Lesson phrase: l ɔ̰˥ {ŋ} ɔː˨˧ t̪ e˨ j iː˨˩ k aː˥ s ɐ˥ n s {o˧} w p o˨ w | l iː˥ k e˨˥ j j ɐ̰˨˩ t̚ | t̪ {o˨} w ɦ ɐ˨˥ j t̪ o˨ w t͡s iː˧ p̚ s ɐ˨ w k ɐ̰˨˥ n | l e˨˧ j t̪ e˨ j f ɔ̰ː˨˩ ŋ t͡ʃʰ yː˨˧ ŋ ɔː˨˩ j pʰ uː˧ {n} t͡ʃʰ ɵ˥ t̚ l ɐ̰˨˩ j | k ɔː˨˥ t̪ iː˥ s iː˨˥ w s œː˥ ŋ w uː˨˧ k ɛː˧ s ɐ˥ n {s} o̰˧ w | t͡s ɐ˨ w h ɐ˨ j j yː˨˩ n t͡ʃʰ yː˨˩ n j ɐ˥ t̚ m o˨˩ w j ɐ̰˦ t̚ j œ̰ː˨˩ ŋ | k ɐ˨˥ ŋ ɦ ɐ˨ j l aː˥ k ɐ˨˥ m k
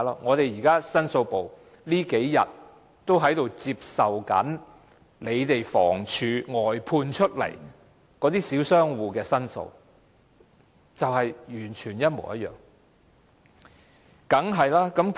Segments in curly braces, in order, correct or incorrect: correct, correct, incorrect: o˥, correct, correct

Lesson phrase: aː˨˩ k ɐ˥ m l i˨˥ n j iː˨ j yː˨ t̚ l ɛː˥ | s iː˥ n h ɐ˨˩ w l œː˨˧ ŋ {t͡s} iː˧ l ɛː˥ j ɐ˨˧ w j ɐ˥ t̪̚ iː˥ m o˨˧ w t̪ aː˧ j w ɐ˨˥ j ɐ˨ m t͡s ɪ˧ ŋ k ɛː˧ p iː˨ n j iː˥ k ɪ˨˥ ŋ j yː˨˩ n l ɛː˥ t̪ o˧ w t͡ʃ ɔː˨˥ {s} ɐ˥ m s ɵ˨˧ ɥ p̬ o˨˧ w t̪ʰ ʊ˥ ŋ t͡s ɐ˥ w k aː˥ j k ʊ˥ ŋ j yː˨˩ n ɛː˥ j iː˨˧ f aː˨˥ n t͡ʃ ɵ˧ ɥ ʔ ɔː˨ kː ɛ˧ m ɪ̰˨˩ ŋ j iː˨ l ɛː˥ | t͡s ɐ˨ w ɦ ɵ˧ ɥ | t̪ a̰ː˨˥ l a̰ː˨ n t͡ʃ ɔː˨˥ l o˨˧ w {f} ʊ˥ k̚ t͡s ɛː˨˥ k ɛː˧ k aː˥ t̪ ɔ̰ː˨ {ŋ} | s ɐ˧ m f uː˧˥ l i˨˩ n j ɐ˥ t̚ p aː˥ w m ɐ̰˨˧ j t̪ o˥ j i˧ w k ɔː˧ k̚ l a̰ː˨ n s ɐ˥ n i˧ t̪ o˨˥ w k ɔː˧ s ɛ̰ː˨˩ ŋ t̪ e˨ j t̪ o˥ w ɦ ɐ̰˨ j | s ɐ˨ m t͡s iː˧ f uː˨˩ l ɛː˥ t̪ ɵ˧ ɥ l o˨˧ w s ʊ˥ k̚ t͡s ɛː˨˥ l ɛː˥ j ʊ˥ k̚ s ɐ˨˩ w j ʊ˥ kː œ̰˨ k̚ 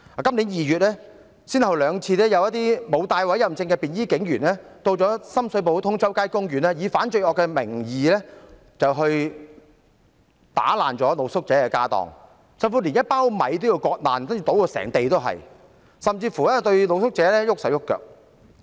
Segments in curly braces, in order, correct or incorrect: incorrect: t͡sʰ, correct, incorrect: s, correct

